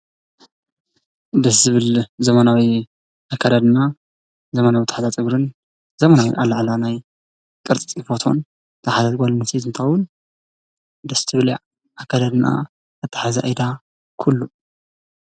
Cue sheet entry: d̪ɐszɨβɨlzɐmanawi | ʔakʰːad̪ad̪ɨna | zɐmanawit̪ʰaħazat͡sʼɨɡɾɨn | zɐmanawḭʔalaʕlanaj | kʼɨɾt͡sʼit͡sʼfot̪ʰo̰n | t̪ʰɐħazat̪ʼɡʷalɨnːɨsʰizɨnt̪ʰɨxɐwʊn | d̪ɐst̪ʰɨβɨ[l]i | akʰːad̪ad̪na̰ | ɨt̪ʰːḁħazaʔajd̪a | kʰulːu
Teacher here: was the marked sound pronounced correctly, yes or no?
yes